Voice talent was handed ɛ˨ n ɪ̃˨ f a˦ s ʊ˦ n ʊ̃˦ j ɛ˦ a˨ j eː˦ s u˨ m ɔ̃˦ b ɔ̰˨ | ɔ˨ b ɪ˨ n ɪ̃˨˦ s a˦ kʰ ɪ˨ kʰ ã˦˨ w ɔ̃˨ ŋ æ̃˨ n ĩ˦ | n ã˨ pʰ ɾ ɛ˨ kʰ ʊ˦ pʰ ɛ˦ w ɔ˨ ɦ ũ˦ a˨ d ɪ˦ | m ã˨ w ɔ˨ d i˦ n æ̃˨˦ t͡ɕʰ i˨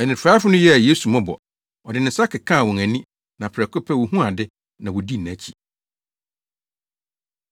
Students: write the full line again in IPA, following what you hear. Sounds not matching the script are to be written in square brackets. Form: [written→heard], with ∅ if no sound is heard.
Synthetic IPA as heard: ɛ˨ n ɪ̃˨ f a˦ [s→f] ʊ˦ n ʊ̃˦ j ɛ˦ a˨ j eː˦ s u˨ m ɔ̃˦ b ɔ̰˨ | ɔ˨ [b→d] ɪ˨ n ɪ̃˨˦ s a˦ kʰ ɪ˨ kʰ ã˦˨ w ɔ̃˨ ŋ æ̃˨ n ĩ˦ | n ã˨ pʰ ɾ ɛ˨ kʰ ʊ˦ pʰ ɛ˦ w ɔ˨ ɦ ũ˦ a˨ d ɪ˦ | [m→n] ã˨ w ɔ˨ d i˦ n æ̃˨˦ t͡ɕʰ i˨